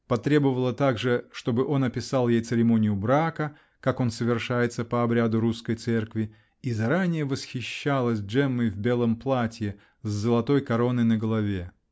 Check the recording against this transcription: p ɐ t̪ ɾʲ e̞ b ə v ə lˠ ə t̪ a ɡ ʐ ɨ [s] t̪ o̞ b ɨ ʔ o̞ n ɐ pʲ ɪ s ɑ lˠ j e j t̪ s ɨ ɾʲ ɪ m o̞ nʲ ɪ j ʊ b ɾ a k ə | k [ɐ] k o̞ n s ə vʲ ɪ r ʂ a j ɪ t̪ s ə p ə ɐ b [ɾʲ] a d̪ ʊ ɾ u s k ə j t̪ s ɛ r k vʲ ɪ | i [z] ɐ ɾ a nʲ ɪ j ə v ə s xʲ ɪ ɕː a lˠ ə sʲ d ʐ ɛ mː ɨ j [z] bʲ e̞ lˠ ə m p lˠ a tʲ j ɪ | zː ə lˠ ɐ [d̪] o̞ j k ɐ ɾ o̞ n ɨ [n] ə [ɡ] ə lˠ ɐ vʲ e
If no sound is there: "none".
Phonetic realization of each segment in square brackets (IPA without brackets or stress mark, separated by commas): ʂ, a, ɾʲ, z, v, t̪, n, ɡ